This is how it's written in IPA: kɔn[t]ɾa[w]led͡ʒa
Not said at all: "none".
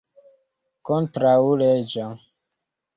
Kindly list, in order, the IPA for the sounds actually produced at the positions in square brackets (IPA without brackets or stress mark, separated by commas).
t, u